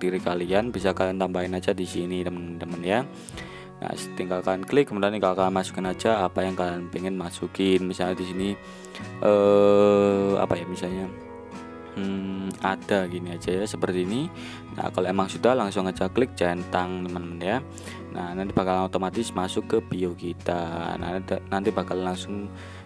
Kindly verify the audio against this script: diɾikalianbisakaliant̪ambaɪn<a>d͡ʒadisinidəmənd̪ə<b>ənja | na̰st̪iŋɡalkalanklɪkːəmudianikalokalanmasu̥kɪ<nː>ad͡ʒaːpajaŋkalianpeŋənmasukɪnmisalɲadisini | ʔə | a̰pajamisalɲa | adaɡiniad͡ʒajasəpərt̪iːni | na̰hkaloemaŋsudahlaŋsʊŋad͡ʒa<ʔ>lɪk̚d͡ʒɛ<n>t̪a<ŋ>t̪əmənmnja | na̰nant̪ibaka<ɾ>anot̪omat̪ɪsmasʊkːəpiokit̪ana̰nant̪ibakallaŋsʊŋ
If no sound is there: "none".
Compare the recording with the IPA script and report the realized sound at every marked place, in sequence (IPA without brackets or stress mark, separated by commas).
a, m, n, k, n, ŋ, l